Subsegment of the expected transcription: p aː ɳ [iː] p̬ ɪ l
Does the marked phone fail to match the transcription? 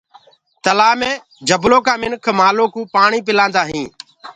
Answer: no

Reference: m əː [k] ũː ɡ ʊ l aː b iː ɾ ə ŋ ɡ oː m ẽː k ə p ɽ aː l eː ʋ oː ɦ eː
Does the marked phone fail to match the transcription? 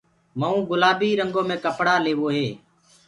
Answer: yes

